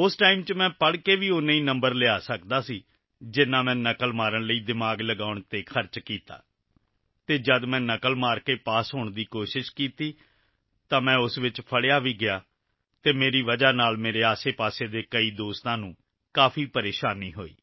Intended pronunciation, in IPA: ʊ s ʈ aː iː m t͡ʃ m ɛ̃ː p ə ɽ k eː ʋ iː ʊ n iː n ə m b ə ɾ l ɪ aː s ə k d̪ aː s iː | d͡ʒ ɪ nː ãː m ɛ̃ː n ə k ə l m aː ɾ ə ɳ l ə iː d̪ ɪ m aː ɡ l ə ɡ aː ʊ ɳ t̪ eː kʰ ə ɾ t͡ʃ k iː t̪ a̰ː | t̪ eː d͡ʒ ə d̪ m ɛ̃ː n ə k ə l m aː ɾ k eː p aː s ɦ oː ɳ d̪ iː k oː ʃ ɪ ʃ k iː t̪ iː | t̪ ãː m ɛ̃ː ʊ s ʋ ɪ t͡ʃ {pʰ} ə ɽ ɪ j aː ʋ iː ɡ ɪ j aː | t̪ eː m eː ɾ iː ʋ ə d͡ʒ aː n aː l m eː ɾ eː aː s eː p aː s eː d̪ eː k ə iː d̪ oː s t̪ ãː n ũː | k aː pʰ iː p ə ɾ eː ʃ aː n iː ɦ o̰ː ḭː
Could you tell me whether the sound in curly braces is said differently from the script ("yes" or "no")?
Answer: no